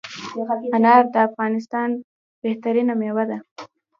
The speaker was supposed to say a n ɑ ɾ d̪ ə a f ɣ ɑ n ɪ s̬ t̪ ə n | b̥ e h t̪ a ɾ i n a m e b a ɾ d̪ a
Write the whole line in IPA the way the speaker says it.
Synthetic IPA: a n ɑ ɾ d̪ ə a f ɣ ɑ n ɪ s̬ t̪ ɑ n | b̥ e h t̪ a ɾ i n a m e w a d̪ a